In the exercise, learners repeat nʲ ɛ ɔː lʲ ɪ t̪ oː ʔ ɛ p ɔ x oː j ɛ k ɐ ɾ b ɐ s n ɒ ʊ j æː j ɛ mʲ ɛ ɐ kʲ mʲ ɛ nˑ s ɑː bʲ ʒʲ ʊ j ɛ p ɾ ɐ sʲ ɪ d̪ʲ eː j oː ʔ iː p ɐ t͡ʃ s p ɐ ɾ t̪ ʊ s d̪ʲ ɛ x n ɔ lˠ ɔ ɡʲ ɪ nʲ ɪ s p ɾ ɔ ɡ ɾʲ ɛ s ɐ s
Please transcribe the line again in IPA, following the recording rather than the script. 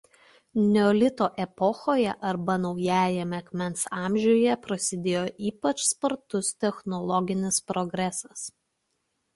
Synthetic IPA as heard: nʲ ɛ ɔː lʲ ɪ t̪ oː ʔ ɛ p ɔ x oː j ɛ ʔ ɐ ɾ b ɐ n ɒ ʊ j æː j ɛ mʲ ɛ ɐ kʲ mʲ ɛ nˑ s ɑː mʲ ʒʲ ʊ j ɛ p ɾ ɐ sʲ ɪ d̪ʲ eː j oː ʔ iː p ɐ t͡ʃ s p ɐ ɾ t̪ ʊ s t̪ʲ ɛ x n ɔ lˠ ɔ ɡʲ ɪ nʲ ɪ s p ɾ ɔ ɡ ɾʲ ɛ s ɐ s